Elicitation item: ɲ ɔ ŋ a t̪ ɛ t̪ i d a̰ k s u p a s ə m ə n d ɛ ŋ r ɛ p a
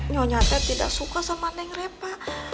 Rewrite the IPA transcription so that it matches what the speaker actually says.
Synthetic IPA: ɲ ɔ ɲ a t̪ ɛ t̪ i d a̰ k s u k a s a m a n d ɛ ŋ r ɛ p a